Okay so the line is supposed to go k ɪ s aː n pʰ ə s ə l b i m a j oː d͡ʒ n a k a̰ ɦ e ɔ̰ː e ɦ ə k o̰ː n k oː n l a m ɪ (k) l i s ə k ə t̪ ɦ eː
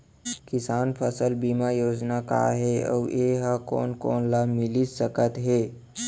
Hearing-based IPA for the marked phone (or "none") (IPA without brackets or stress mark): none